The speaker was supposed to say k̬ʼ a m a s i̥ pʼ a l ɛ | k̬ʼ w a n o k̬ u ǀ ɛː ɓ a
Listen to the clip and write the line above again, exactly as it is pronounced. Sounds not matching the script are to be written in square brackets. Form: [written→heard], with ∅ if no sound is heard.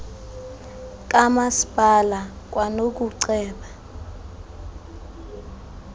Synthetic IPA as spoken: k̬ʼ a m a s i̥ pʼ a l [ɛ→a] | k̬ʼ w a n o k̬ u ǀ ɛː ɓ a